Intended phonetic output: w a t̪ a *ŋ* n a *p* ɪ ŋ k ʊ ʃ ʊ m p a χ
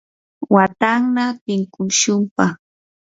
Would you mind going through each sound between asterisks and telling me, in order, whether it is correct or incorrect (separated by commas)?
correct, correct